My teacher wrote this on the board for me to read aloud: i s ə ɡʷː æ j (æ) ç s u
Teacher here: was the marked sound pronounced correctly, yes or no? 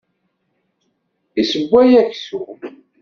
yes